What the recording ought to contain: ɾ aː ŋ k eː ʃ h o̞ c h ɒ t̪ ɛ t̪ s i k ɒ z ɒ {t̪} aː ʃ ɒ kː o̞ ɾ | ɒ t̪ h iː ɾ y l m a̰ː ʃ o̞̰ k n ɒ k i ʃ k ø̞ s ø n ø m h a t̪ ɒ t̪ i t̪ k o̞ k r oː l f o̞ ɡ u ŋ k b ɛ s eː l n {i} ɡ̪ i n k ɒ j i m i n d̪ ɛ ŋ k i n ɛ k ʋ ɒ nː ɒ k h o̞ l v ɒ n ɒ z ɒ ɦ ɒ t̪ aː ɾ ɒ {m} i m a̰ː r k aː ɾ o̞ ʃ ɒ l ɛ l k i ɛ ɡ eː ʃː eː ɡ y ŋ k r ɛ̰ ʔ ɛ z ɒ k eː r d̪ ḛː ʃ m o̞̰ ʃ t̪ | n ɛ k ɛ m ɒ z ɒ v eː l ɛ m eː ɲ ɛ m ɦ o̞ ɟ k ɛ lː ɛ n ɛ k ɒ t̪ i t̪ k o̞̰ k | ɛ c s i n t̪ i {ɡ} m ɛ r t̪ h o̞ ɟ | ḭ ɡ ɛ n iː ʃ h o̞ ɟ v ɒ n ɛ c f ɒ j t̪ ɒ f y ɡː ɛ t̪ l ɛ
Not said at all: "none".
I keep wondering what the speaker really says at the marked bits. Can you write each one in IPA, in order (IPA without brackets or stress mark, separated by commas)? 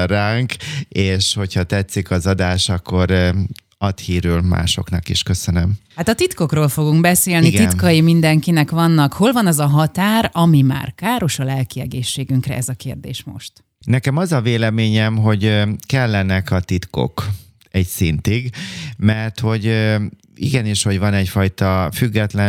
d̪, i, m, ɡ